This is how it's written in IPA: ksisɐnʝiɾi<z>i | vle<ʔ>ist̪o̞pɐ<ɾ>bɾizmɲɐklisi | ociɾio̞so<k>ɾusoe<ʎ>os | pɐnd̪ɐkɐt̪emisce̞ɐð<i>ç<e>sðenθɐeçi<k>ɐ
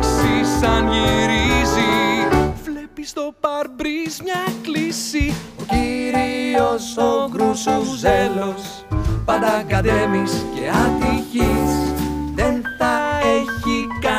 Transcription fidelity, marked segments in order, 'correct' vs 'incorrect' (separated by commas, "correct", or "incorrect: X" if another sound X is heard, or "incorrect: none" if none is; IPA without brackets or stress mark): correct, incorrect: p, correct, correct, incorrect: l, correct, incorrect: i, correct